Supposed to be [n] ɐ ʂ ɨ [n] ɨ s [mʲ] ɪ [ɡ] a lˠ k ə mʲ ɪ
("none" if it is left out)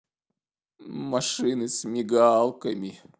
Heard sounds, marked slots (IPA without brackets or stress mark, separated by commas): m, n, mʲ, ɡ